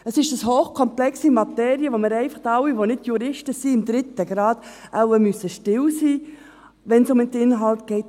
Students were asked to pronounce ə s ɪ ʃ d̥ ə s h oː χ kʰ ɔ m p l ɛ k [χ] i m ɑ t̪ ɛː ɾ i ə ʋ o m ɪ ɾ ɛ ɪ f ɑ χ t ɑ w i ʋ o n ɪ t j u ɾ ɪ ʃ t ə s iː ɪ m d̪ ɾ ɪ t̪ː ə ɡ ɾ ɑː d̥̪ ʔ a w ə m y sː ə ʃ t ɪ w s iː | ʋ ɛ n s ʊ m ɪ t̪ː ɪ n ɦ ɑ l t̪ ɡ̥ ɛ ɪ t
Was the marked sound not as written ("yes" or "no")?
yes